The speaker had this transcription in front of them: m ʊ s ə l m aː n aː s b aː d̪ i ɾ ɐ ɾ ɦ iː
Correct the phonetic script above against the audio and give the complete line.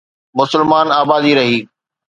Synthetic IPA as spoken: m ʊ s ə l m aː n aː b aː d̪ i ɾ ɐ ɦ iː